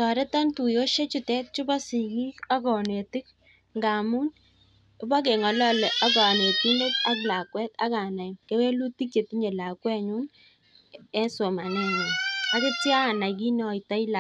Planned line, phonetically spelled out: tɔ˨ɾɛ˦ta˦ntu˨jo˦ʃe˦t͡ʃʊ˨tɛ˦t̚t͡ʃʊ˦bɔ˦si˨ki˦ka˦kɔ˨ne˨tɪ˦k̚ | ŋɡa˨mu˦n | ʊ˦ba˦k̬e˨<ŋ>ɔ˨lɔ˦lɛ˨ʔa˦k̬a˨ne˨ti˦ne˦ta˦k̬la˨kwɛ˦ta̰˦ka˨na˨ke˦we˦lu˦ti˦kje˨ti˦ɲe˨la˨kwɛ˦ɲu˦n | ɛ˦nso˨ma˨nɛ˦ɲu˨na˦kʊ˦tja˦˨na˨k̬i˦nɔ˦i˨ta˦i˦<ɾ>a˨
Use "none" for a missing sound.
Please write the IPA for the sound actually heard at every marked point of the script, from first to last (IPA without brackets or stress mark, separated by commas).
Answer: ŋ, l